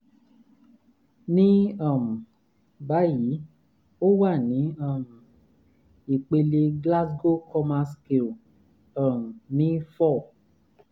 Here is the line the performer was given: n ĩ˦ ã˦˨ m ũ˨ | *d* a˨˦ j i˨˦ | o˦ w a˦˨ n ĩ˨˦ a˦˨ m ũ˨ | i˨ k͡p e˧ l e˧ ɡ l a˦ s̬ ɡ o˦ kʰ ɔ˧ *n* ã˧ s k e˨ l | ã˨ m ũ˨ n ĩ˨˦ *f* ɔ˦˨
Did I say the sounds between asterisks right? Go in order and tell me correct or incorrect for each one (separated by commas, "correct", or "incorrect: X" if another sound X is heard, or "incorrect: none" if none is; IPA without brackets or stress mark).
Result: incorrect: b, incorrect: m, correct